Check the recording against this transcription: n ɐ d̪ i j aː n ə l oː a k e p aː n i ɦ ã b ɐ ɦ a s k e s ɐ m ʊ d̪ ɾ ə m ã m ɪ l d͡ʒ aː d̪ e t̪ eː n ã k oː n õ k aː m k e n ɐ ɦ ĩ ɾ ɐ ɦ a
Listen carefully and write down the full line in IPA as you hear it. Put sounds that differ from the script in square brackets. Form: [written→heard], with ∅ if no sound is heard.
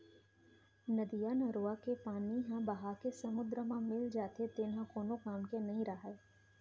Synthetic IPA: n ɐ d̪ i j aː n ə [l→ɾ] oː a k e p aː n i ɦ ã b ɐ ɦ a [s→∅] k e s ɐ m ʊ d̪ ɾ ə m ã m ɪ l d͡ʒ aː [d̪→t̪] e t̪ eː n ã k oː n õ k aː m k e n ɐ ɦ ĩ ɾ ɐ ɦ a